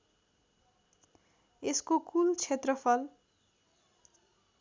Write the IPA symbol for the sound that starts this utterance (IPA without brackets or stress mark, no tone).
e